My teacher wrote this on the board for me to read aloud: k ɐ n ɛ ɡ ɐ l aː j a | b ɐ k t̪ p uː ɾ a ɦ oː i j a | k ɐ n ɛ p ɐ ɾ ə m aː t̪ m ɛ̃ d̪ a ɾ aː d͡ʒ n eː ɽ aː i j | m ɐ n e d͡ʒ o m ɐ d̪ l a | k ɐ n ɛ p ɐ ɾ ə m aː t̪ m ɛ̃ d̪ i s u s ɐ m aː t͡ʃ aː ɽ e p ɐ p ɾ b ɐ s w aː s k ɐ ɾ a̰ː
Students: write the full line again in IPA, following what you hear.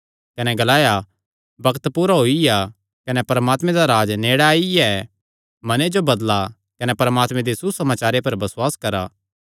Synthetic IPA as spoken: k ɐ n ɛ ɡ ɐ l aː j a | b ɐ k t̪ p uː ɾ a ɦ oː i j a | k ɐ n ɛ p ɐ ɾ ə m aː t̪ m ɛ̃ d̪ a ɾ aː d͡ʒ n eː ɽ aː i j | m ɐ n e d͡ʒ o b ɐ d̪ l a | k ɐ n ɛ p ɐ ɾ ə m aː t̪ m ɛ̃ d̪ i s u s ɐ m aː t͡ʃ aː ɾ e p ɐ ɾ b ɐ s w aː s k ɐ ɾ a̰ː